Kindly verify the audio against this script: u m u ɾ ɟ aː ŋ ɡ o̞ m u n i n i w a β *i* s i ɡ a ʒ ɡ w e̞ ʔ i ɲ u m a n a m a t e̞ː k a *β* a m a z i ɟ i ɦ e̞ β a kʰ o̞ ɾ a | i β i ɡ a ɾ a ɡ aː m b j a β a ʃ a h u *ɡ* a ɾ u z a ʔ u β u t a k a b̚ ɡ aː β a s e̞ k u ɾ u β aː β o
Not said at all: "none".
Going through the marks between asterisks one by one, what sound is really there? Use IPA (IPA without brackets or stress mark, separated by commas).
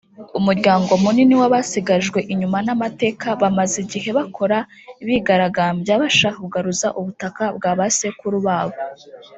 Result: a, β, ɡ